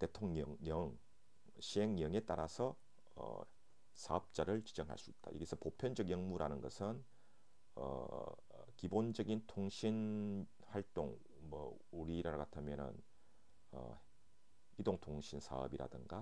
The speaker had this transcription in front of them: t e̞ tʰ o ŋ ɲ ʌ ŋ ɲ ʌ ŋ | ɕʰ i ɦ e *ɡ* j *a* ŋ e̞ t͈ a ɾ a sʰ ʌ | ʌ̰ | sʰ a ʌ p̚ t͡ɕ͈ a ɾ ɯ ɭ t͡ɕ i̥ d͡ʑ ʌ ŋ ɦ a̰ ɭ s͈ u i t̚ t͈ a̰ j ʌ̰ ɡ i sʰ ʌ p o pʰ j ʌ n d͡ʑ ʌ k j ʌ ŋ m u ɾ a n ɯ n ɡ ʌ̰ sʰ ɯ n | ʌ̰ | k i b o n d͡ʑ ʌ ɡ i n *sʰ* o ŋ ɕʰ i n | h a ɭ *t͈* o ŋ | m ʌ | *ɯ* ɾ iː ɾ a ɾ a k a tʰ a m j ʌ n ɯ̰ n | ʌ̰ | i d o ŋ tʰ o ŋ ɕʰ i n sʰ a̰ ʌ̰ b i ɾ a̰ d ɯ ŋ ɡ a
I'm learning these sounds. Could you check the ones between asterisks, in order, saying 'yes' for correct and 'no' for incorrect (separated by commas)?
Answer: no, no, no, yes, no